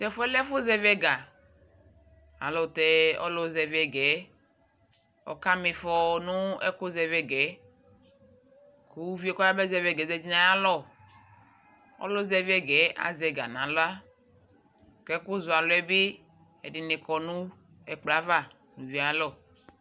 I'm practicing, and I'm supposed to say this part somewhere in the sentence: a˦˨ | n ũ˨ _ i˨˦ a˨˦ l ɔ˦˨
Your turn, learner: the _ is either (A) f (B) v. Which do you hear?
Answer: B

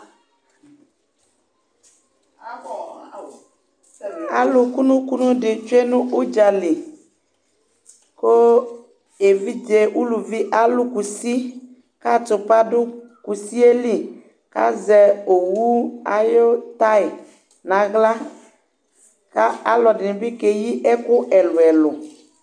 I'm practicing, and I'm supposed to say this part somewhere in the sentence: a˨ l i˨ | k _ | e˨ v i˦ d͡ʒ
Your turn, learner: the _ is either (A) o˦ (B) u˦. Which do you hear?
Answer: A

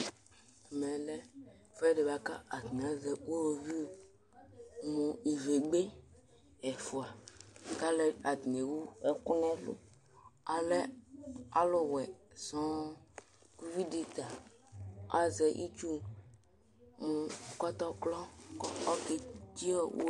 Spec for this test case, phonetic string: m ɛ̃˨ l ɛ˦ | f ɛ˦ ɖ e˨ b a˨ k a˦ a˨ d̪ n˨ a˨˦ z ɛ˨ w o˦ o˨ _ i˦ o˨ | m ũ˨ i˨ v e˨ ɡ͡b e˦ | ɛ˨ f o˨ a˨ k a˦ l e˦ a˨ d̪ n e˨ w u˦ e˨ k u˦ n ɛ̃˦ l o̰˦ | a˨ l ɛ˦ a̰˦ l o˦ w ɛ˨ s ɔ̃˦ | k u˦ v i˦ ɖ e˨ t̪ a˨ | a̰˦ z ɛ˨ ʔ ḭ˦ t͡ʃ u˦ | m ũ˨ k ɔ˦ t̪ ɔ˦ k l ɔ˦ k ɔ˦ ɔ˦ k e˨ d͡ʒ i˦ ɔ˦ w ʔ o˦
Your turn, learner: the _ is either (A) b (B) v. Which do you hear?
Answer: B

